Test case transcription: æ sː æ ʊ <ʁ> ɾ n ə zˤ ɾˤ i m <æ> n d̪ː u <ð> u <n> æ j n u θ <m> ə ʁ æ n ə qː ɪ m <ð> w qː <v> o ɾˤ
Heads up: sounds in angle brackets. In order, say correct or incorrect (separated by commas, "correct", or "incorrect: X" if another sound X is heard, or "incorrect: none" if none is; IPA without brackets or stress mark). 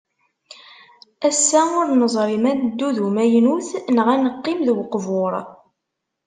incorrect: none, correct, correct, incorrect: m, incorrect: n, correct, correct